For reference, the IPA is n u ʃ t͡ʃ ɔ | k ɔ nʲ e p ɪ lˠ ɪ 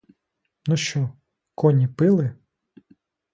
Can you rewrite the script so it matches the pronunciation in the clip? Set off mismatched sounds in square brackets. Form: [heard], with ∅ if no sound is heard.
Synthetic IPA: n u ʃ t͡ʃ ɔ | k ɔ nʲ [i] p ɪ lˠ ɪ